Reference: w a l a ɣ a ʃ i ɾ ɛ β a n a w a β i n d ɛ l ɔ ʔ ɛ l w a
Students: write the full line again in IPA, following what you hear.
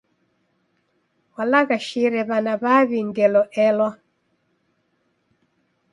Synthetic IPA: w a l a ɣ a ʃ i ɾ ɛ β a n a β a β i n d ɛ l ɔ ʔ ɛ l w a